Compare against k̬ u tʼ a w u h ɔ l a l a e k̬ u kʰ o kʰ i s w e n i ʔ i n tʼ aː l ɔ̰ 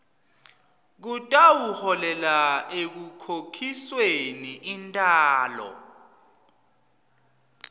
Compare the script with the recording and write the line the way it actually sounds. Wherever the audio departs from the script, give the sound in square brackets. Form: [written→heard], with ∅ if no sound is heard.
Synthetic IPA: k̬ u tʼ a w u h ɔ l [a→ɛ] l a e k̬ u kʰ o kʰ i s w e n i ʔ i n tʼ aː l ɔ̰